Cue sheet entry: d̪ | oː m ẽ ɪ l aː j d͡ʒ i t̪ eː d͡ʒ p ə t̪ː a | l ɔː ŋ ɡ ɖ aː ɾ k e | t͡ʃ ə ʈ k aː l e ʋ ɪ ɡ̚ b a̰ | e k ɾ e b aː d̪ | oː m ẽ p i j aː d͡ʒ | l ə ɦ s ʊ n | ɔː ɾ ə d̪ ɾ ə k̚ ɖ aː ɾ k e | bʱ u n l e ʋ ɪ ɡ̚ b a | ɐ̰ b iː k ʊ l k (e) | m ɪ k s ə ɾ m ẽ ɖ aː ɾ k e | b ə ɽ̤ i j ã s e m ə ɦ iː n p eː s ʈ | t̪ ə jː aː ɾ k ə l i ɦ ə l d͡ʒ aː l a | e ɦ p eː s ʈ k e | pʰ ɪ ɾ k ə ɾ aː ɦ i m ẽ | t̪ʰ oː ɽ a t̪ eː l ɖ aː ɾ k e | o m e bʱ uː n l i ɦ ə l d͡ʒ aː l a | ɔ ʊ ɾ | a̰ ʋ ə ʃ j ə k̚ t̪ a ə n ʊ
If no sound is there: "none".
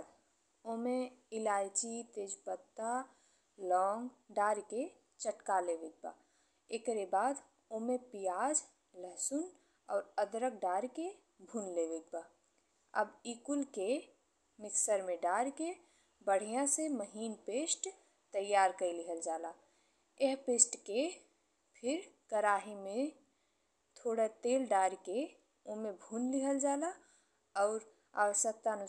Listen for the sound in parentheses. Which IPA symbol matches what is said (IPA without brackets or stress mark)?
e